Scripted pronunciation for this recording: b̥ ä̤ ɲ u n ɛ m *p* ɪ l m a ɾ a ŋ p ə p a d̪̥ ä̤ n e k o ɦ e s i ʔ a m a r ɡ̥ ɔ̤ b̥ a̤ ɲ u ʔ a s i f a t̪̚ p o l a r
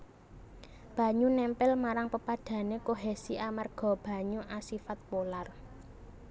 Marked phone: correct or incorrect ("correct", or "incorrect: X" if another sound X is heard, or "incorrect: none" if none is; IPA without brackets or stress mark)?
correct